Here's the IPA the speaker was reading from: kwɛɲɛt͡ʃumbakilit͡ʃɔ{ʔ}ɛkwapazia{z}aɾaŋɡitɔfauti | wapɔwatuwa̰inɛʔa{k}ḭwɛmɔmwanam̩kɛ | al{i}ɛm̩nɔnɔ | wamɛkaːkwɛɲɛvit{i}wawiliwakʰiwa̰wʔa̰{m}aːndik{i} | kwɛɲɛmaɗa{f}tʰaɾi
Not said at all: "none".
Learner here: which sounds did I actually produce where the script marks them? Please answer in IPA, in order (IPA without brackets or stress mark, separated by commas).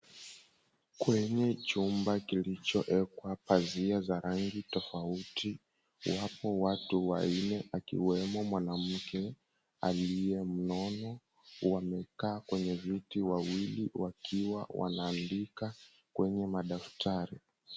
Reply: ʔ, z, k, i, i, n, a, f